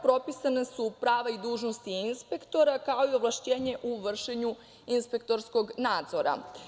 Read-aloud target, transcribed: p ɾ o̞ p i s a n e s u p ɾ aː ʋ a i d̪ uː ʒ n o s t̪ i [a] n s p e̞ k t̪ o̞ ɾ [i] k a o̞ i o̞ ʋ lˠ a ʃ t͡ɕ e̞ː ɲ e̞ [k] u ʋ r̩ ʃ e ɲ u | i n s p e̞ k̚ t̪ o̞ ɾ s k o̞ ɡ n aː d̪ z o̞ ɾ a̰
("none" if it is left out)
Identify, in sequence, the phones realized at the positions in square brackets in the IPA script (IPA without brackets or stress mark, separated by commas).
i, a, ʔ